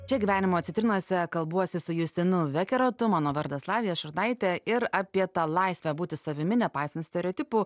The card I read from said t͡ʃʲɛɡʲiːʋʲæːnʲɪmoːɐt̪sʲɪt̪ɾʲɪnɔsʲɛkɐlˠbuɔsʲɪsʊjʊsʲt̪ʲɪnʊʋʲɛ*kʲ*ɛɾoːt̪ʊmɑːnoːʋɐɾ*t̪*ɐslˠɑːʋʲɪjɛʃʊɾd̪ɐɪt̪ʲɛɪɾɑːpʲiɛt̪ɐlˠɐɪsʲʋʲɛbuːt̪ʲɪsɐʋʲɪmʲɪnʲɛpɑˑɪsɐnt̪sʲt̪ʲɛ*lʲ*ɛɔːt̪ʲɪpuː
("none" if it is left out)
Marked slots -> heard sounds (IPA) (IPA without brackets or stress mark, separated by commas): kʲ, d̪, ɾʲ